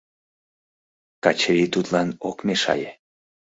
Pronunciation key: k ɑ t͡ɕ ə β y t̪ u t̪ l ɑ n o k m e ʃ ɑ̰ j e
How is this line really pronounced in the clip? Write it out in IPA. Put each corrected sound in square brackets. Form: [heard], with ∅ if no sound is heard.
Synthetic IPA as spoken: k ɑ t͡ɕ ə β [i] t̪ u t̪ l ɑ n o k m e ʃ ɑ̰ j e